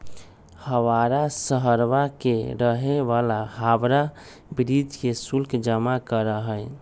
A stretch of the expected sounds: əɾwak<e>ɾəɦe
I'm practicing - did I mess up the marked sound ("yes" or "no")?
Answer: no